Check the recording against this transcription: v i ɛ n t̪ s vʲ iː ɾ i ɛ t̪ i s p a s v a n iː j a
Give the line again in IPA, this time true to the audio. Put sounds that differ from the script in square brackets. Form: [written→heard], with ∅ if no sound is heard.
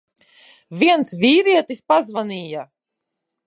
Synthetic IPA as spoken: v i ɛ n t̪ s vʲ iː ɾ i ɛ t̪ i s p a [s→z] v a n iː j a

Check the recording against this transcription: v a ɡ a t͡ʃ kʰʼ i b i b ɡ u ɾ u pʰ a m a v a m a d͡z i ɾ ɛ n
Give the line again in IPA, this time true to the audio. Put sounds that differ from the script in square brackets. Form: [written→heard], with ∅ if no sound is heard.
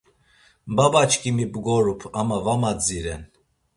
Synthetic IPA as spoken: [v→b] a [ɡ→b] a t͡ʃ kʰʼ i [b→m] i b ɡ [u→ɔ] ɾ u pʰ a m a v a m a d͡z i ɾ ɛ n

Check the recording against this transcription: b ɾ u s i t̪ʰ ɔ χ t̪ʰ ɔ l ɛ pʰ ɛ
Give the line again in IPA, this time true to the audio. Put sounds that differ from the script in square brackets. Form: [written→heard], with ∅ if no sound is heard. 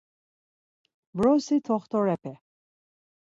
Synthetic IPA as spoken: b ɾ [u→ɔ] s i t̪ʰ ɔ χ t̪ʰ ɔ [l→ɾ] ɛ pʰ ɛ

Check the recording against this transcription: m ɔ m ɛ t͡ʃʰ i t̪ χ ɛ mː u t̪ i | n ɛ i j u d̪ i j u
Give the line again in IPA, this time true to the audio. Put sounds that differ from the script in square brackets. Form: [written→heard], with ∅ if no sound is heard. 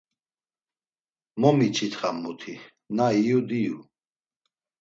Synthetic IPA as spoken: m ɔ m [ɛ→i] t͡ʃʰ i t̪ χ [ɛ→a] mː u [t̪→t̪ʰ] i | n [ɛ→a] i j u d̪ i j u

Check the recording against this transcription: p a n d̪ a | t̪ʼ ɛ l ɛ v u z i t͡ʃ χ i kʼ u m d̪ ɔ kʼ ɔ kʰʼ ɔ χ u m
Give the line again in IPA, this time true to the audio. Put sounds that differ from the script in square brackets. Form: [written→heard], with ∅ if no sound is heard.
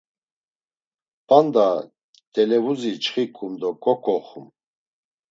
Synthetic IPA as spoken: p a n d̪ a | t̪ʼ ɛ l ɛ v u z i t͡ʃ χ i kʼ u m d̪ ɔ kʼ ɔ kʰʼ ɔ χ u m

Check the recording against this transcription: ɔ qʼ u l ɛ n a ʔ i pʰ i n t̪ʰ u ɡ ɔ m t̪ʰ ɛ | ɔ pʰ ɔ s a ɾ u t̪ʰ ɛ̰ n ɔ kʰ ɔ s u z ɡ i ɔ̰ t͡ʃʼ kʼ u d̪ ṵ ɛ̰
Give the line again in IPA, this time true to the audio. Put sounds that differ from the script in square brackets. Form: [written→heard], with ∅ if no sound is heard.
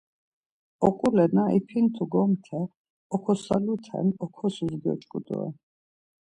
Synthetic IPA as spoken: ɔ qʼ u l ɛ n a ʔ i pʰ i n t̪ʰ u ɡ ɔ m t̪ʰ ɛ | ɔ [pʰ→kʰ] ɔ s a [ɾ→l] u t̪ʰ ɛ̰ n ɔ kʰ ɔ s u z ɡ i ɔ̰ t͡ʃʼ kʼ u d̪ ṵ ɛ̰

